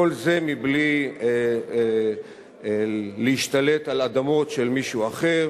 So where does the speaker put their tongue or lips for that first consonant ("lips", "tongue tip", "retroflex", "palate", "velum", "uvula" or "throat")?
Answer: tongue tip